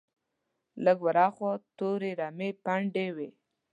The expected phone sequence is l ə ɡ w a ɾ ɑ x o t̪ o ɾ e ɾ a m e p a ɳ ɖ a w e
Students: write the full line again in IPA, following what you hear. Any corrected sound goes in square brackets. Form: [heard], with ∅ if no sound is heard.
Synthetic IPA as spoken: l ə ɡ w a ɾ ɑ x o t̪ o ɾ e ɾ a m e p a ɳ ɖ [e] w e